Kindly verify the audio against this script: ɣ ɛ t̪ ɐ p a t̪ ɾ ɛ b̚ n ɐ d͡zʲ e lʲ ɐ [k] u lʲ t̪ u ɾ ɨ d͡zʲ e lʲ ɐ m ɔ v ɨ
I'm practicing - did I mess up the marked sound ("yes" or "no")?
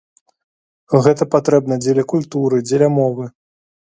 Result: no